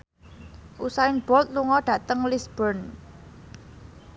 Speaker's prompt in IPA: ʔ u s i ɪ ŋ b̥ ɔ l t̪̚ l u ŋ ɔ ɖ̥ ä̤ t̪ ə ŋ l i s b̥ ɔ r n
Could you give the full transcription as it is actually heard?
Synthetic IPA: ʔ u s a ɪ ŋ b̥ ɔ l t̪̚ l u ŋ ɔ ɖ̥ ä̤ t̪ ə ŋ l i s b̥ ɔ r n